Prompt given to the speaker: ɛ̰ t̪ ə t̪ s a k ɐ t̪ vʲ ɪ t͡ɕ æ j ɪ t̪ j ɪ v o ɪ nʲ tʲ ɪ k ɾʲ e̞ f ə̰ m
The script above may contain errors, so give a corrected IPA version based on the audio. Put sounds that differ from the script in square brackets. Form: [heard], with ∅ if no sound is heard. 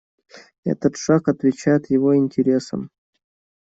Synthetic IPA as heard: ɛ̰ t̪ ə t̪ [ʂ] a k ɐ t̪ vʲ ɪ t͡ɕ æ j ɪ t̪ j ɪ v o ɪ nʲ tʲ ɪ [∅] ɾʲ e̞ [s] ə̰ m

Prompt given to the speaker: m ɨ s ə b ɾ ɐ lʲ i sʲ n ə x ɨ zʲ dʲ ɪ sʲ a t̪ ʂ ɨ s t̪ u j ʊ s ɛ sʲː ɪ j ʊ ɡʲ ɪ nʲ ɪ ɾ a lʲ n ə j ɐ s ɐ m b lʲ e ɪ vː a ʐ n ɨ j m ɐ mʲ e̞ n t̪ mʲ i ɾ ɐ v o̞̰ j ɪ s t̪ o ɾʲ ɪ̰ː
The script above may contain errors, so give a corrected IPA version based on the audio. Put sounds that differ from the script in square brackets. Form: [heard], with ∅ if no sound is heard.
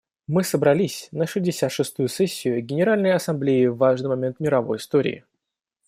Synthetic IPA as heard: m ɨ s ə b ɾ ɐ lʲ i sʲ n ə [ʂ] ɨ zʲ dʲ ɪ sʲ a t̪ ʂ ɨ s t̪ u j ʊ s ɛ sʲː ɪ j ʊ ɡʲ ɪ nʲ ɪ ɾ a lʲ n ə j ɐ s ɐ m b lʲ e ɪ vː a ʐ n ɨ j m ɐ mʲ e̞ n t̪ mʲ [ɪ] ɾ ɐ v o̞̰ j ɪ s t̪ o ɾʲ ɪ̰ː

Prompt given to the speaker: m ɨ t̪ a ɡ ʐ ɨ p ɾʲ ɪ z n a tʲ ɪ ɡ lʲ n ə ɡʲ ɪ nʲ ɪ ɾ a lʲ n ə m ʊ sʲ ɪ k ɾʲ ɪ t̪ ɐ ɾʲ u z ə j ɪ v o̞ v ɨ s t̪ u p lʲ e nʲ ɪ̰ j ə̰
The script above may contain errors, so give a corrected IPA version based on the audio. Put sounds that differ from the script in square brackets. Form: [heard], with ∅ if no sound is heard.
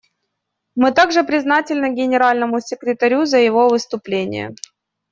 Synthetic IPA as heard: m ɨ t̪ a ɡ ʐ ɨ p ɾʲ ɪ z n a tʲ ɪ [∅] lʲ n ə ɡʲ ɪ nʲ ɪ ɾ a lʲ n ə m ʊ sʲ ɪ k ɾʲ ɪ t̪ ɐ ɾʲ u z ə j ɪ v o̞ v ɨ s t̪ [ʊ] p lʲ e nʲ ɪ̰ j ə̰

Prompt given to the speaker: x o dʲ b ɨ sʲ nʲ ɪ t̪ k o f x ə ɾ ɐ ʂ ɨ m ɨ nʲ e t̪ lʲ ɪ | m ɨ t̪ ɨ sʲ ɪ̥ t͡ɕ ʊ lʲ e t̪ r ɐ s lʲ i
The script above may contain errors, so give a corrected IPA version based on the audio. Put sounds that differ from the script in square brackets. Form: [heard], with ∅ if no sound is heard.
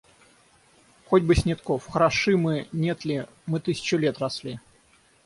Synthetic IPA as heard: x o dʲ b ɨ sʲ nʲ ɪ t̪ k o f x ə ɾ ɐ ʂ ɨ m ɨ nʲ e t̪ lʲ ɪ | m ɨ t̪ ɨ sʲ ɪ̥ t͡ɕ ʊ lʲ e t̪ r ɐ s lʲ i

